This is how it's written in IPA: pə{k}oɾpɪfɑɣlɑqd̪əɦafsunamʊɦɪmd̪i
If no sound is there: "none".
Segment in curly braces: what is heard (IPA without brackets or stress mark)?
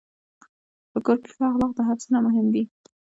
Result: k